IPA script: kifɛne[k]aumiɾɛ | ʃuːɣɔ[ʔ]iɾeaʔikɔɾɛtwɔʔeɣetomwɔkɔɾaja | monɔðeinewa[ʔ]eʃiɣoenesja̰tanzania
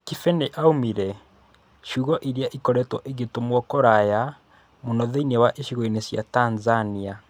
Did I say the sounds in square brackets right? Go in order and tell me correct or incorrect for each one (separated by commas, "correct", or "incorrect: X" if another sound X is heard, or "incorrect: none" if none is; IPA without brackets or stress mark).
incorrect: ʔ, correct, correct